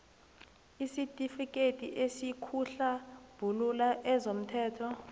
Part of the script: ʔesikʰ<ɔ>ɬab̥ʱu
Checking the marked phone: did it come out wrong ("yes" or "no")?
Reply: yes